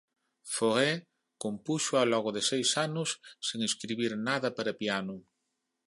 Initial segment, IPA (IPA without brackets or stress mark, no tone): f